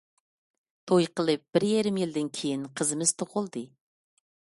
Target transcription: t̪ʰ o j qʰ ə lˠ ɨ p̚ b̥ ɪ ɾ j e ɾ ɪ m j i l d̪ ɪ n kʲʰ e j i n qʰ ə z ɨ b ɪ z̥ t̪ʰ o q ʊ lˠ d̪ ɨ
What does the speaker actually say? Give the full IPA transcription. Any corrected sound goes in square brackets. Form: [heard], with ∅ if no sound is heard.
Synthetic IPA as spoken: t̪ʰ o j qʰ ə lˠ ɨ p̚ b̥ ɪ ɾ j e ɾ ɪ m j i l d̪ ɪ n kʲʰ e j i n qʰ ə z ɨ [m] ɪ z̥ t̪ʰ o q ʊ lˠ d̪ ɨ

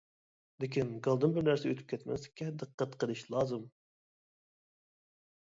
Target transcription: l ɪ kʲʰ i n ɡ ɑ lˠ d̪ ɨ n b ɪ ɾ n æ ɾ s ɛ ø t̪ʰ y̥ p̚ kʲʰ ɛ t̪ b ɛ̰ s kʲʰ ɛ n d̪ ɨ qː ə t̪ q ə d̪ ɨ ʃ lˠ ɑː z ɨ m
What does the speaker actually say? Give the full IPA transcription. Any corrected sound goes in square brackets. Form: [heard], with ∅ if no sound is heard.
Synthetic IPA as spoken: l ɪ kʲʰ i n ɡ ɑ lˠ d̪ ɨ n b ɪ ɾ n æ ɾ s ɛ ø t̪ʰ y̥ p̚ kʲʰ ɛ t̪ [m] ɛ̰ s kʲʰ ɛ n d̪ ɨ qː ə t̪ q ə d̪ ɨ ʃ lˠ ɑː z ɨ m

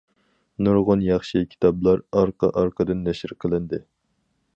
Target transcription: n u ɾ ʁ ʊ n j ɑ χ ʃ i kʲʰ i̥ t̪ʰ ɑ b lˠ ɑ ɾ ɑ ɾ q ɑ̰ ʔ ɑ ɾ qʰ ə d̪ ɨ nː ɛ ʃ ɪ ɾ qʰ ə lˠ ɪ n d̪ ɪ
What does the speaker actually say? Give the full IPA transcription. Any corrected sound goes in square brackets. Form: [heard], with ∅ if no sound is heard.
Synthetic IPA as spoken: n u ɾ ʁ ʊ n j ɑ χ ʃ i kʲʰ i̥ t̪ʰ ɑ b lˠ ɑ ɾ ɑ ɾ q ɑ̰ ʔ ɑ ɾ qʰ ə d̪ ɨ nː ɛ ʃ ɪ ɾ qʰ ə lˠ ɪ n d̪ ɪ

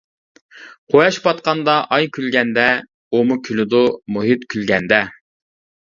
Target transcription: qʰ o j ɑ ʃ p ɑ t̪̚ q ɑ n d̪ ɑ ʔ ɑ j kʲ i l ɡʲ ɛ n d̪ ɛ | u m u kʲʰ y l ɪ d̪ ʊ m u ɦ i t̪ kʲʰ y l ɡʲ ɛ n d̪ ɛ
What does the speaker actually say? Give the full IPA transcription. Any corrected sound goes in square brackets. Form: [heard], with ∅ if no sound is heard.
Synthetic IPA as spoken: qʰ o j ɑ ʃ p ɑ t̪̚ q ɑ n d̪ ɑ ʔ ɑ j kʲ [y] l ɡʲ ɛ n d̪ ɛ | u m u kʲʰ y l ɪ d̪ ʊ m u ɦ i t̪ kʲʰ y l ɡʲ ɛ n d̪ ɛ

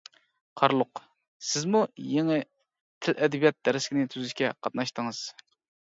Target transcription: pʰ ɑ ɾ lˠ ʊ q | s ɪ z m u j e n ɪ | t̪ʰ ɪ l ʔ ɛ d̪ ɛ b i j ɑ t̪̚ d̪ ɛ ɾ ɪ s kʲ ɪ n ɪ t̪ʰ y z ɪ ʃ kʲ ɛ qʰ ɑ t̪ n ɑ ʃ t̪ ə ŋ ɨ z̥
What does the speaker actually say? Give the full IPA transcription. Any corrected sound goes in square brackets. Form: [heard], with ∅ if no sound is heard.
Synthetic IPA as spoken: [qʰ] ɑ ɾ lˠ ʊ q | s ɪ z m u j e [ŋ] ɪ | t̪ʰ ɪ l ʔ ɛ d̪ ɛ b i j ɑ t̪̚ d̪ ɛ ɾ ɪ s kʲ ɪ n ɪ t̪ʰ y z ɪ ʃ kʲ ɛ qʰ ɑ t̪ n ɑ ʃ t̪ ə ŋ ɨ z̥

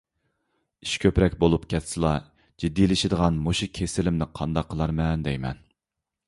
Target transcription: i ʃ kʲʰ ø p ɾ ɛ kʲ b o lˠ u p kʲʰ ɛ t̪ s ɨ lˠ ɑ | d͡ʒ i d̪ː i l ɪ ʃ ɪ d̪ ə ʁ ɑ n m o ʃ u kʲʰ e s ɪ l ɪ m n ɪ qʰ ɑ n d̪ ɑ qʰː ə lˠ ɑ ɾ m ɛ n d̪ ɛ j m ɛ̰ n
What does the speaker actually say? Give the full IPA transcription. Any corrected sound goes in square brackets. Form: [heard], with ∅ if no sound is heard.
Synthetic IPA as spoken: i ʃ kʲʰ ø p ɾ ɛ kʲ b o lˠ u p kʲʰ ɛ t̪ s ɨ lˠ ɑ | d͡ʒ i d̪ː i l ɪ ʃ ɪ d̪ ə ʁ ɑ n m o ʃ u kʲʰ e s ɪ l ɪ m n ɪ qʰ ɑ n d̪ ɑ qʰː ə lˠ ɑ ɾ m ɛ n d̪ ɛ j m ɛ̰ n

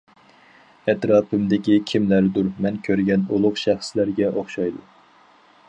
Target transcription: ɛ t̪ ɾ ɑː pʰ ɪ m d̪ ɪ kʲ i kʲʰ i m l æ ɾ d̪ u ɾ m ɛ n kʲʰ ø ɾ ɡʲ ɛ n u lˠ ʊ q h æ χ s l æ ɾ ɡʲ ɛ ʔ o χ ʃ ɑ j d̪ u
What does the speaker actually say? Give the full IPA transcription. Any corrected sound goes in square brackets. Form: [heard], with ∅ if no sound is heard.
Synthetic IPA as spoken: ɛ t̪ ɾ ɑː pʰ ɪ m d̪ ɪ kʲ i kʲʰ i m l æ ɾ d̪ u ɾ m ɛ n kʲʰ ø ɾ ɡʲ ɛ n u lˠ ʊ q [ʃ] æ χ s l æ ɾ ɡʲ ɛ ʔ o χ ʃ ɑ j d̪ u

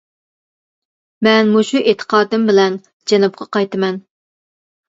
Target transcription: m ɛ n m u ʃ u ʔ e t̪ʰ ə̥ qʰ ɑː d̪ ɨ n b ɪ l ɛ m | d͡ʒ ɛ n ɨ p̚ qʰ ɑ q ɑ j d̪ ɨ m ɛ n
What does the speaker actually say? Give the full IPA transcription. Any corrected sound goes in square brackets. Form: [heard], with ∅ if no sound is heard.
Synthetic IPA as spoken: m ɛ n m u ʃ u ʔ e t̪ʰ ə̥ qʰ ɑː d̪ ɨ [m] b ɪ l ɛ [n] | d͡ʒ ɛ n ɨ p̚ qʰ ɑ q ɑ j [t̪] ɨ m ɛ n

